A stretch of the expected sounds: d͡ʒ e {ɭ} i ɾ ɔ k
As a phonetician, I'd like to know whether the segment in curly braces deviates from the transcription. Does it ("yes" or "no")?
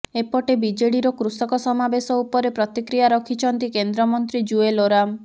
yes